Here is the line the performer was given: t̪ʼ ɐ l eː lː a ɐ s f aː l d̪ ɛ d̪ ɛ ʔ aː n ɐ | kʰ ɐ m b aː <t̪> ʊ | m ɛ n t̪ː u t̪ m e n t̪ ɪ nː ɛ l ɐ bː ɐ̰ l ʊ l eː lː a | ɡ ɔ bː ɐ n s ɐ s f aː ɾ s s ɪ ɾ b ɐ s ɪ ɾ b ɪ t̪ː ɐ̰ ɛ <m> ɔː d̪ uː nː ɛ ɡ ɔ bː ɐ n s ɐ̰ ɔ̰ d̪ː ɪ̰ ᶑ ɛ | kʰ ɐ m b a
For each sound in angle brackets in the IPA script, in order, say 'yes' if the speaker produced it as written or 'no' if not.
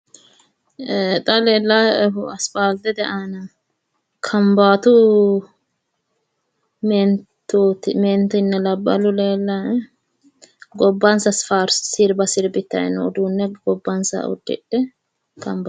yes, no

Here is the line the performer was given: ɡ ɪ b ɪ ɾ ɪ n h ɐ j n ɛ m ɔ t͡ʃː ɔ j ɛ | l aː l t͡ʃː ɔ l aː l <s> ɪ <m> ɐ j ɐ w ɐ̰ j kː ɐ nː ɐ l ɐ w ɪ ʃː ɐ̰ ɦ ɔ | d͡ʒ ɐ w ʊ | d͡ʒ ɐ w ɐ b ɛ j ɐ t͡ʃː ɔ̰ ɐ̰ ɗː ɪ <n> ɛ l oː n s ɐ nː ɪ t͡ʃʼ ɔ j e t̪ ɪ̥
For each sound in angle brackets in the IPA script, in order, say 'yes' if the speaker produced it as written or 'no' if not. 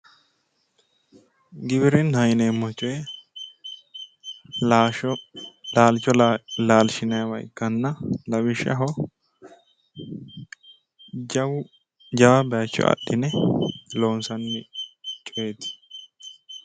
no, no, yes

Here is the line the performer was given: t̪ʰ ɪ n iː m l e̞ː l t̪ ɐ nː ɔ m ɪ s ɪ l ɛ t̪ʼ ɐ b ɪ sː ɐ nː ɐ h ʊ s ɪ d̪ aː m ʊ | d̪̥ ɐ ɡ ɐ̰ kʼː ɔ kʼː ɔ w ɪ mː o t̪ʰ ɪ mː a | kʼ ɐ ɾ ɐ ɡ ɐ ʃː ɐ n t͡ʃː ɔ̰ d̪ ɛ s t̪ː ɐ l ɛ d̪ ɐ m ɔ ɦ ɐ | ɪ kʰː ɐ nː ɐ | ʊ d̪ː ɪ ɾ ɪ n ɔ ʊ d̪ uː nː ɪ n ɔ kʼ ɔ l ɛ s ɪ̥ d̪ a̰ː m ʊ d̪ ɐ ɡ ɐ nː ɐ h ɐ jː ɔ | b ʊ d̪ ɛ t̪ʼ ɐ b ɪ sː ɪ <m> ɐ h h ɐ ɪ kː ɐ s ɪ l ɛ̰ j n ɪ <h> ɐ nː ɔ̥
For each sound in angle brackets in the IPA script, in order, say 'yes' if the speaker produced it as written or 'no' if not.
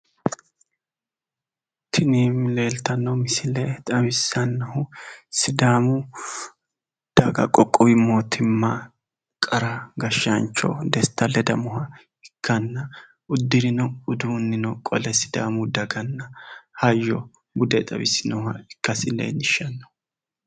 no, no

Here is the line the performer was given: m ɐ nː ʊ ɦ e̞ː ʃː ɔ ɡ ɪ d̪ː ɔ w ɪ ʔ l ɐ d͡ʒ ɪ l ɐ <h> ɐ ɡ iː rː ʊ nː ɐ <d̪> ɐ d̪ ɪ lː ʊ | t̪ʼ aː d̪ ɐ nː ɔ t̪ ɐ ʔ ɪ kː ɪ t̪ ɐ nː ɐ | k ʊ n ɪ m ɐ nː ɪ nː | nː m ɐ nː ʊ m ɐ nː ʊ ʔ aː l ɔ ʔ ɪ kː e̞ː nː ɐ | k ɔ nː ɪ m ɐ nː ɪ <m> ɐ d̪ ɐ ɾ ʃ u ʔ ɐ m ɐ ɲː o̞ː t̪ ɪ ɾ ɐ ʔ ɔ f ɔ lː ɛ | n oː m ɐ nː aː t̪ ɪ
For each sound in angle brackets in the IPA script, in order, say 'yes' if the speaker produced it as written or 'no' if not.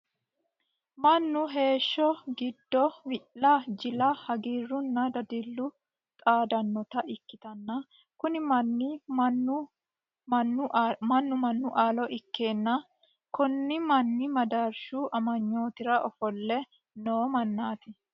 yes, yes, yes

